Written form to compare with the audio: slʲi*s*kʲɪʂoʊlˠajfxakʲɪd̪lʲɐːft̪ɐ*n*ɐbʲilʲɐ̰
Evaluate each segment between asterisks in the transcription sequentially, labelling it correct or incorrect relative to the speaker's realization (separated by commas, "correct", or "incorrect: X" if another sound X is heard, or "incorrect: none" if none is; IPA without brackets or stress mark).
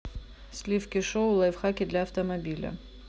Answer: incorrect: f, incorrect: m